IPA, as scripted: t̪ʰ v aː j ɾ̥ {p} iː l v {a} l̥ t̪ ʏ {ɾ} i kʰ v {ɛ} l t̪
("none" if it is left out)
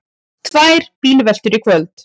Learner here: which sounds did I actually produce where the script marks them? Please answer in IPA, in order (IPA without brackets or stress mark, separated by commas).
p, ɛ, ɾ, œ